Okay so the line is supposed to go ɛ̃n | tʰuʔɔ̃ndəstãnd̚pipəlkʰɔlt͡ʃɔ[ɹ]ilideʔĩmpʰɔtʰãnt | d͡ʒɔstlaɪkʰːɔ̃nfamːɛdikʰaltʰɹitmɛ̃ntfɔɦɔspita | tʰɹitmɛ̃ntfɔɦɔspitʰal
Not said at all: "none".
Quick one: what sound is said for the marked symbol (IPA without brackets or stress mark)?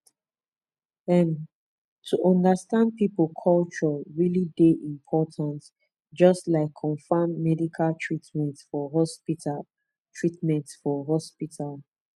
ɹ